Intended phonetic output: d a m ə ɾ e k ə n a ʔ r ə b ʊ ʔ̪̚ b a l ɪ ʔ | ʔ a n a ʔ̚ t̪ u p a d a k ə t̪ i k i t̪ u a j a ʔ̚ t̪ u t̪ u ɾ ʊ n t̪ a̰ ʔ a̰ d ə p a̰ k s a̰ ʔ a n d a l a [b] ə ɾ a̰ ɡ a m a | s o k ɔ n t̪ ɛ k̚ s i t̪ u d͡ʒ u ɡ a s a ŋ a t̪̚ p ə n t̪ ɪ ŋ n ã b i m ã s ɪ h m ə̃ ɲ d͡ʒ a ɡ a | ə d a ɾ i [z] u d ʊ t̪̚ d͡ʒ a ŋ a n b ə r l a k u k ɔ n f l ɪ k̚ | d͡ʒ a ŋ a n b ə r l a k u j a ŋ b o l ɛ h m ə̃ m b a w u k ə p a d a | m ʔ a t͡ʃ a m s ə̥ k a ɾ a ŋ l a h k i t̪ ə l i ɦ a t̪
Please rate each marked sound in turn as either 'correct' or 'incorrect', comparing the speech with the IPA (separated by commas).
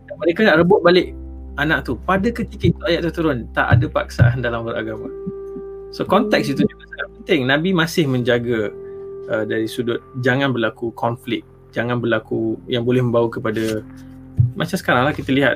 incorrect, incorrect